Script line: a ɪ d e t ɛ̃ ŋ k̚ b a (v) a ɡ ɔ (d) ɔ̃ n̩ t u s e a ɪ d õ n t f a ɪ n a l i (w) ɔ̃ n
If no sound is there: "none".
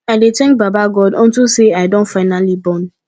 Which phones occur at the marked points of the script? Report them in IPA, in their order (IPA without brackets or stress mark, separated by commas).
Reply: b, d, b